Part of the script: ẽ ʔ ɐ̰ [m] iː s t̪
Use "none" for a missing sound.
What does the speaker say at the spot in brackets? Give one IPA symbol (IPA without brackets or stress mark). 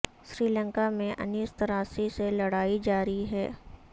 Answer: n